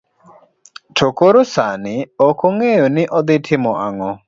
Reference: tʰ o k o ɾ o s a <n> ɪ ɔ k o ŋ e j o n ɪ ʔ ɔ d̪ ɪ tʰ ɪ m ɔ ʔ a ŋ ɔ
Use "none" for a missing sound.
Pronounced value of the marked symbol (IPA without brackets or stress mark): n